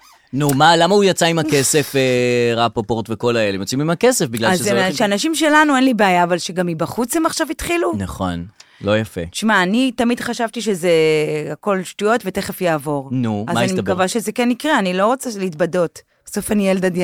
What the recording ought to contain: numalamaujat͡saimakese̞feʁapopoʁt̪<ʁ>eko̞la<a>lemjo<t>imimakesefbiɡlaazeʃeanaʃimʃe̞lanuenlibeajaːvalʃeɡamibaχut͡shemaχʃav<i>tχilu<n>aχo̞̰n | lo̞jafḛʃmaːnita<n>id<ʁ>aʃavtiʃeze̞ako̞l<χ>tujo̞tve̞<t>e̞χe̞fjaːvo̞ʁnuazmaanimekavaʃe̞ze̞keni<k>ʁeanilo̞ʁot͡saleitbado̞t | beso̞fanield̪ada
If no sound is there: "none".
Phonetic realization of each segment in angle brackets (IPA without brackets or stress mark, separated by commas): v, e, t͡s, i, n, m, χ, ʃ, t, k